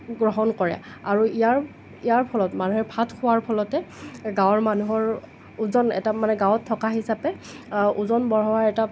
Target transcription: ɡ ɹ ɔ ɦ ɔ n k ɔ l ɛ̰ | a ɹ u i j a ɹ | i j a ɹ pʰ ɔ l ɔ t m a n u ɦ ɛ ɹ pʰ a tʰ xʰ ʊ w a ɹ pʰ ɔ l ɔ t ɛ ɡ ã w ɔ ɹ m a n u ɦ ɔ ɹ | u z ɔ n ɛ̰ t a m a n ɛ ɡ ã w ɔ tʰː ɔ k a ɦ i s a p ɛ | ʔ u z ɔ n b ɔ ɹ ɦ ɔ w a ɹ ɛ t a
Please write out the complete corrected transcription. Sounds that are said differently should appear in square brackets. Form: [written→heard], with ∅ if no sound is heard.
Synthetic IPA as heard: ɡ ɹ ɔ ɦ ɔ n k ɔ [l→ɹ] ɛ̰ | a ɹ u i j a ɹ | i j a ɹ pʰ ɔ l ɔ t m a n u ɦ ɛ ɹ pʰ a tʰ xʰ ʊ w a ɹ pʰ ɔ l ɔ t ɛ ɡ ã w ɔ ɹ m a n u ɦ ɔ ɹ | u z ɔ n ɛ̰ t a m a n ɛ ɡ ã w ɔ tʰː ɔ k a ɦ i s a p ɛ | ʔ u z ɔ n b ɔ ɹ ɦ ɔ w a ɹ ɛ t a